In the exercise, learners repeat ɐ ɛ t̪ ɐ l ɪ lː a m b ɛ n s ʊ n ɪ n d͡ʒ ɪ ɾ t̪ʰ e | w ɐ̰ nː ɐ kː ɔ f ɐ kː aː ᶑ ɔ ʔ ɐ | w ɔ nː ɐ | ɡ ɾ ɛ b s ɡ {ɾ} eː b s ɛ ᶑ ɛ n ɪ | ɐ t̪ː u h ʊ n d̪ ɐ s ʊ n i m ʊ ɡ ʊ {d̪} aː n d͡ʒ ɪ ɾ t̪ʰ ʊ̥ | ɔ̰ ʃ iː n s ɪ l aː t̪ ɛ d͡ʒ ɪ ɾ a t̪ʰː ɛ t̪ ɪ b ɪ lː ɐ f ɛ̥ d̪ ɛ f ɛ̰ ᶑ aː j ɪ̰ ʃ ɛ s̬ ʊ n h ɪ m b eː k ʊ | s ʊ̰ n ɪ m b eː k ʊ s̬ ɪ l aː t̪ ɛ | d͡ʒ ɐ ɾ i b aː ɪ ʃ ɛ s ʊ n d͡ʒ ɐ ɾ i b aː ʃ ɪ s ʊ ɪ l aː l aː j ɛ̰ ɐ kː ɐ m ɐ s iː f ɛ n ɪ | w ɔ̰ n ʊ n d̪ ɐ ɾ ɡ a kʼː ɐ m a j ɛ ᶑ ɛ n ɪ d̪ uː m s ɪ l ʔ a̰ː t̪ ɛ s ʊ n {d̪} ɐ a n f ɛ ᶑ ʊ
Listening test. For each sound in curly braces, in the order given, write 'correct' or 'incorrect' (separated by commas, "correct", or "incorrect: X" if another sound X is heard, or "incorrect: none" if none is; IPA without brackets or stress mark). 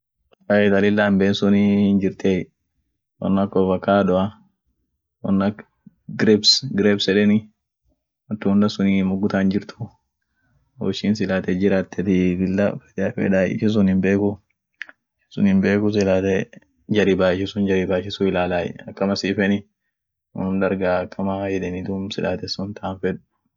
correct, incorrect: t̪, incorrect: t̪